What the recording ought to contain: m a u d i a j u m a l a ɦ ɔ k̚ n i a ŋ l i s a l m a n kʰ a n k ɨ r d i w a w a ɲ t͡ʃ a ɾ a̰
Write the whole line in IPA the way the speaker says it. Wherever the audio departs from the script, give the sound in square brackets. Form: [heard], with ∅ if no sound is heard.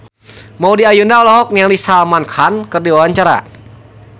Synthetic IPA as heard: m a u d i a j u [n] a l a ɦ ɔ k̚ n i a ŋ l i s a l m a n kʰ a n k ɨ r d i w a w a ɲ t͡ʃ a ɾ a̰